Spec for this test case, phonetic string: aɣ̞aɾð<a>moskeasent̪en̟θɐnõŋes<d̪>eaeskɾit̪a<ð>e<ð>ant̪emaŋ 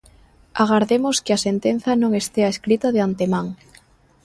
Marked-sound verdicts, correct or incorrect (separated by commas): incorrect, incorrect, correct, incorrect